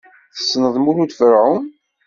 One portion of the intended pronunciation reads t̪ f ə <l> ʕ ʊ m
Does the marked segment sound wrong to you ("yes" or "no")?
yes